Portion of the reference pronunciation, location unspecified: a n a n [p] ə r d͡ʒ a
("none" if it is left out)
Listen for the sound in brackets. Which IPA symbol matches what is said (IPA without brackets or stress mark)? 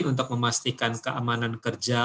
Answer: k